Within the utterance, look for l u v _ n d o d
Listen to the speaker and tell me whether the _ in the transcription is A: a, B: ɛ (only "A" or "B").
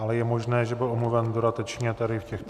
B